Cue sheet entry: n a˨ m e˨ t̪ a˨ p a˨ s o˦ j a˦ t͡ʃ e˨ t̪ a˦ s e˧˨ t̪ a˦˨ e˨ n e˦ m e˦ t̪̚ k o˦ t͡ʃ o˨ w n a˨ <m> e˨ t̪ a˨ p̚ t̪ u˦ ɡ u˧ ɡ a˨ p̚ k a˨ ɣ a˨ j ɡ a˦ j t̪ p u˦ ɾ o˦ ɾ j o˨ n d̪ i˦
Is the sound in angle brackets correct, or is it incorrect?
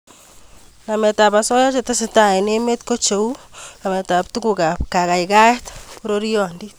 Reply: correct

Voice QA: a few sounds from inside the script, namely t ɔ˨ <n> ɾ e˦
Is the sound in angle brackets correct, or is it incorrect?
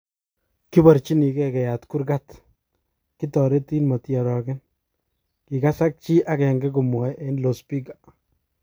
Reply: incorrect: none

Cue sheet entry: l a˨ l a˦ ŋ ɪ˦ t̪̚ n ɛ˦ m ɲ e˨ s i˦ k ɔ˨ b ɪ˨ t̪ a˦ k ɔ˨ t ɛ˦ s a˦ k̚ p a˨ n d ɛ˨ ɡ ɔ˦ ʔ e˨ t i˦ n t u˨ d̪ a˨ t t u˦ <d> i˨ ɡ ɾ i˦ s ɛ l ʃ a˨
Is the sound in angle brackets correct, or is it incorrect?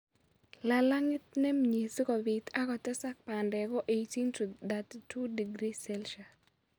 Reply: correct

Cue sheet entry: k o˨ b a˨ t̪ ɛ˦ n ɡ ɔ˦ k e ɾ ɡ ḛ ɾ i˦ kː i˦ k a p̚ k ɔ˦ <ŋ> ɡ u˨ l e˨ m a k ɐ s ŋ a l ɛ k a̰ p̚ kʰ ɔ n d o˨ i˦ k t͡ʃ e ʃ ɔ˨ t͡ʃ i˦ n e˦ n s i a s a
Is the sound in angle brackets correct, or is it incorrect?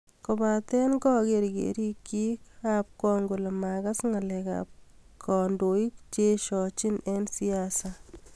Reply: correct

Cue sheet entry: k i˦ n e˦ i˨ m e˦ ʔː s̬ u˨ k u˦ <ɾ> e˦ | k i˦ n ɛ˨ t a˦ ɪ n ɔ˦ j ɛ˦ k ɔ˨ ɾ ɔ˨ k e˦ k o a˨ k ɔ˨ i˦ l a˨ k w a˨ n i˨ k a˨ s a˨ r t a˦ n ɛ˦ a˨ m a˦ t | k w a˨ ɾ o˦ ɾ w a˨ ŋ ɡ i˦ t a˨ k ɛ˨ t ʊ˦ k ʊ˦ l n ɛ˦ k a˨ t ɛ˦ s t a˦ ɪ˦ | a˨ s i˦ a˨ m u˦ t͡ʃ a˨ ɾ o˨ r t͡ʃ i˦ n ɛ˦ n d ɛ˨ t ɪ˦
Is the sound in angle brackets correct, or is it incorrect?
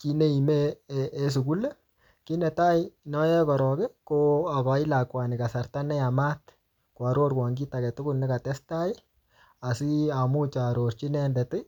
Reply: incorrect: l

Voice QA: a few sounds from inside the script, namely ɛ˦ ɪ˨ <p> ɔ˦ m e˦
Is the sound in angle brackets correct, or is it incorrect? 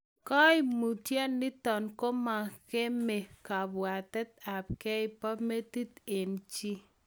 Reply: correct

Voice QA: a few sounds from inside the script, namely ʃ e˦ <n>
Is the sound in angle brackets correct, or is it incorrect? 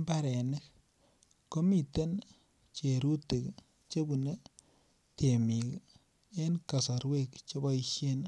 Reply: correct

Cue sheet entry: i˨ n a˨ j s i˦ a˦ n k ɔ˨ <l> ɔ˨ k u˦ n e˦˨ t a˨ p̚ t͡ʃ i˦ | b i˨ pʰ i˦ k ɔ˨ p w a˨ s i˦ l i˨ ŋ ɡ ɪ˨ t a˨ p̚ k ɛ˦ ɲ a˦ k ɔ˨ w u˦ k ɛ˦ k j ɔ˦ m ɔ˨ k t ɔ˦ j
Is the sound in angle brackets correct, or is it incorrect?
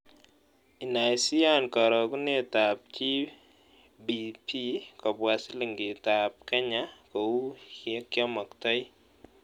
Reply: incorrect: ɾ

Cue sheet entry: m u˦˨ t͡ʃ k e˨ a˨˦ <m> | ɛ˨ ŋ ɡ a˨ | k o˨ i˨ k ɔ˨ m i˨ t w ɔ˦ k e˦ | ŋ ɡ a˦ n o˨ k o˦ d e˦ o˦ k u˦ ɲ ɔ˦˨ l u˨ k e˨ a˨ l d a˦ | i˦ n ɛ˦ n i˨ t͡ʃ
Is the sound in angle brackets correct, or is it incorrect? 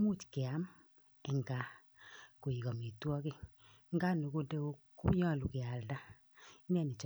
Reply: correct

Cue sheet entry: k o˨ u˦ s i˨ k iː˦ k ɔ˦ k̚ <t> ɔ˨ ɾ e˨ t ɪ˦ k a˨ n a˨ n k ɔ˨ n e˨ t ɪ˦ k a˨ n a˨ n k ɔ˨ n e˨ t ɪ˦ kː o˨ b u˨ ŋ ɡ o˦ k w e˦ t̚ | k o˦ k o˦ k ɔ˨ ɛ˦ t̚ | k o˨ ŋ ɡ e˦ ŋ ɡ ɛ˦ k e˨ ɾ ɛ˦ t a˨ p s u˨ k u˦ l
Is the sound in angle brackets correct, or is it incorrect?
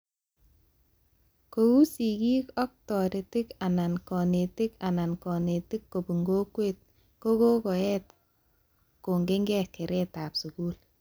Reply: correct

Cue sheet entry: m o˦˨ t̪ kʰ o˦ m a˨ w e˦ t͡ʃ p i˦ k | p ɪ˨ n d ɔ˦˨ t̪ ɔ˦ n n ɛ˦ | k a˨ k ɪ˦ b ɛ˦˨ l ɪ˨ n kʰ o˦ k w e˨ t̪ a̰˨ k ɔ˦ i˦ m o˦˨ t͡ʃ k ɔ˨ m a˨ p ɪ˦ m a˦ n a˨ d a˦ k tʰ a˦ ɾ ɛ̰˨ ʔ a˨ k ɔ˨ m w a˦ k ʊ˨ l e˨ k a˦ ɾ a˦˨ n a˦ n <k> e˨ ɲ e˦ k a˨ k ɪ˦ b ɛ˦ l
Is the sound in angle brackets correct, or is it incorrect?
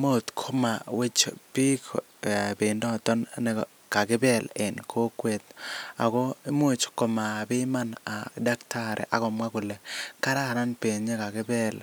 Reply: incorrect: p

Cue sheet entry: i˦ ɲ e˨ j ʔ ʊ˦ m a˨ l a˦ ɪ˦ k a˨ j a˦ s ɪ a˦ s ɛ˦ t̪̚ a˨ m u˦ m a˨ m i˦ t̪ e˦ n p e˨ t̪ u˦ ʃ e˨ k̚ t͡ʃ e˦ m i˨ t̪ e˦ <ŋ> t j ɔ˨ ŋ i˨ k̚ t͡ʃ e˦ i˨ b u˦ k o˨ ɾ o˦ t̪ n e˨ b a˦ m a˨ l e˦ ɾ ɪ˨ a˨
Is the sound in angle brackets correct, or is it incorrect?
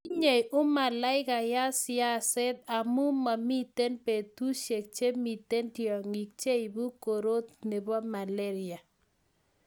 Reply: incorrect: n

